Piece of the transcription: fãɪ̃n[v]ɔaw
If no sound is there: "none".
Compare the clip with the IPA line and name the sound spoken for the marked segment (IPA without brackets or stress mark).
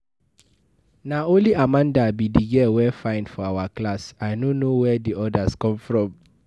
f